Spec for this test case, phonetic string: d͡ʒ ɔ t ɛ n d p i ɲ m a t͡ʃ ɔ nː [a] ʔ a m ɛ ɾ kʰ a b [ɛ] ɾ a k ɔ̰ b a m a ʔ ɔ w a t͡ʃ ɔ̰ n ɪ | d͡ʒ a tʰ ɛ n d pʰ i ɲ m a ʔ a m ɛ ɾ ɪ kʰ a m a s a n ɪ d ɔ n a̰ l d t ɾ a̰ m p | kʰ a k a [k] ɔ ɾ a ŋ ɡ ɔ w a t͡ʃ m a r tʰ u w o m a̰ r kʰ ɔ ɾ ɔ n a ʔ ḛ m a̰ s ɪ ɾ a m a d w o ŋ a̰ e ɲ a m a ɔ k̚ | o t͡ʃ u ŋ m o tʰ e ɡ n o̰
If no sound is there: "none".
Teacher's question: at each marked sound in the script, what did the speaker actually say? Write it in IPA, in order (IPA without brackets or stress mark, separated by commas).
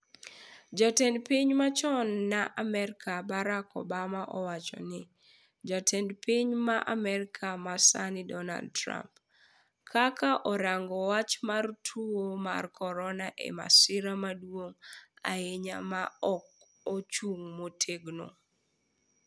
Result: a, a, ʔ